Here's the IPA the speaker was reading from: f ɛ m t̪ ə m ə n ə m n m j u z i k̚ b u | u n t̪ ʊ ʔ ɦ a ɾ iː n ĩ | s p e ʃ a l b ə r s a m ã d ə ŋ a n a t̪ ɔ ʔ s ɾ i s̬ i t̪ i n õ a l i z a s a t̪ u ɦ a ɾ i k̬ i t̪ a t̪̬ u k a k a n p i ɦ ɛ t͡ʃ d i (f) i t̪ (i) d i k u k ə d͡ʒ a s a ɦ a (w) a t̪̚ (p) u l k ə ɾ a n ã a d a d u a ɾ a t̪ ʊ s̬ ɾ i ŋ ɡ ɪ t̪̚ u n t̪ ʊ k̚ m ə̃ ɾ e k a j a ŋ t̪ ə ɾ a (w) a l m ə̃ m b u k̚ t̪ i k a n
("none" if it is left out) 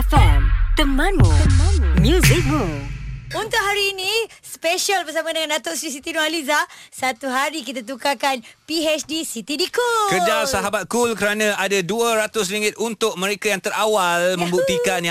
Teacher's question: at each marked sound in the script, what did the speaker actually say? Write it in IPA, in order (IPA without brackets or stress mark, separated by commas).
s, i, b, k, w